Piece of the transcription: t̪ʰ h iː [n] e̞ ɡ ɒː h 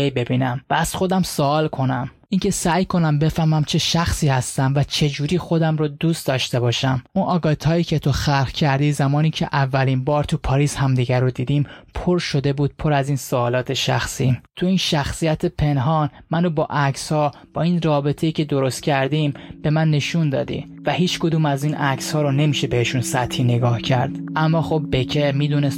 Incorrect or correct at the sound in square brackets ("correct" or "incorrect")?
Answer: correct